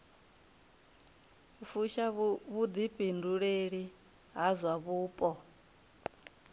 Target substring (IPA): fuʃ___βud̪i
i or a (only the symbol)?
a